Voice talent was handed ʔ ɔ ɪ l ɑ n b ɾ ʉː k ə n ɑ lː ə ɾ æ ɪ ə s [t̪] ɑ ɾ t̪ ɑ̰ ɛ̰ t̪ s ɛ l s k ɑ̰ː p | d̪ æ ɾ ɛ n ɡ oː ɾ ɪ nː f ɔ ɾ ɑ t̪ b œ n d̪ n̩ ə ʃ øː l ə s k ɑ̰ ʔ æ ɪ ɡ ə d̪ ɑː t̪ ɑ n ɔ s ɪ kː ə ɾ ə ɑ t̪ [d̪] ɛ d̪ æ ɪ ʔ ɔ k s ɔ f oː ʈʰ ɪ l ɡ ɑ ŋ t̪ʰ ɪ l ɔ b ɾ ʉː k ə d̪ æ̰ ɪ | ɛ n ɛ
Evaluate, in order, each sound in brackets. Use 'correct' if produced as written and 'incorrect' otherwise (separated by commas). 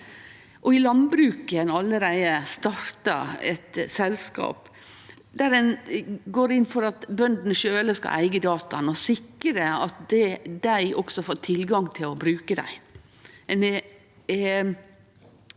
correct, correct